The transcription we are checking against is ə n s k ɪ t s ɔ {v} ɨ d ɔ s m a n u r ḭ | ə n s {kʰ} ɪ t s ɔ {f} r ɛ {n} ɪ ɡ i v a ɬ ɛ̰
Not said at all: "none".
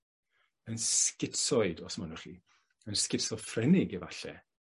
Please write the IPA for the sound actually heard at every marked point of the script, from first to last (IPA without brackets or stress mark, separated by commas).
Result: none, k, f, n